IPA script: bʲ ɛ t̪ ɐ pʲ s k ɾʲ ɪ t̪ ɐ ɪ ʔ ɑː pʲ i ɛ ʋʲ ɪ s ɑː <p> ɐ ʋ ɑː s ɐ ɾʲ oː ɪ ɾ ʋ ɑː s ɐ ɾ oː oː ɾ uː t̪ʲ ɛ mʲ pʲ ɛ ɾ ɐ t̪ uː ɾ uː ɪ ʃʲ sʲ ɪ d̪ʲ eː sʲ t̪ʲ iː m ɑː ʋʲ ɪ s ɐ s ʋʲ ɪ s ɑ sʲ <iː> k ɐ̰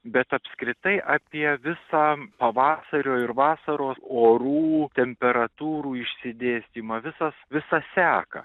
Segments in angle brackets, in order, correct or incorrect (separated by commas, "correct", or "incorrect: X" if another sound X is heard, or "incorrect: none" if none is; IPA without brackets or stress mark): correct, incorrect: æː